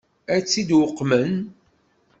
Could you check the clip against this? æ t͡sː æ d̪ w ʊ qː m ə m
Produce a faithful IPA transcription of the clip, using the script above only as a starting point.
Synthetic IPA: æ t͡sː i d̪ w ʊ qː m ə n